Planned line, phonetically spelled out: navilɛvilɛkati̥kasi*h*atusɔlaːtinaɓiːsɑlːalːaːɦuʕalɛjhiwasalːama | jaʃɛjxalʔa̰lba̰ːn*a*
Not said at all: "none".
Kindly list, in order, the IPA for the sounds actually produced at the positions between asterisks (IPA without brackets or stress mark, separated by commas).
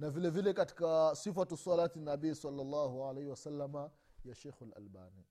f, i